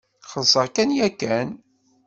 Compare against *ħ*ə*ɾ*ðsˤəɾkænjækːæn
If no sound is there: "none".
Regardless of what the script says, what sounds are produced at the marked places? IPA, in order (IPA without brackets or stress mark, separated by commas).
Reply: χ, none